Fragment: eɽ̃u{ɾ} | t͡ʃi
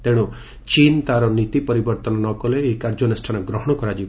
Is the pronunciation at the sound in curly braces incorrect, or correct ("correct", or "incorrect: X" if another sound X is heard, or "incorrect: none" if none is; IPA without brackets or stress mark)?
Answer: incorrect: none